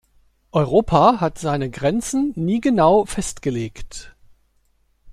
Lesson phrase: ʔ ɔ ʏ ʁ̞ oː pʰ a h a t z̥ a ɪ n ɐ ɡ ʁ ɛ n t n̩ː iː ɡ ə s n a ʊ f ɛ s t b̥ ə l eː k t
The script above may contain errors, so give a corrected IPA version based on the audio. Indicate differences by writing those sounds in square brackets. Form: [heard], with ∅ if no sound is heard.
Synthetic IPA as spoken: ʔ ɔ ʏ ʁ̞ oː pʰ a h a t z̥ a ɪ n [ə] ɡ ʁ ɛ n [t͡s] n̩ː iː ɡ ə [∅] n a ʊ f ɛ s t [ɡ̥] ə l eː k t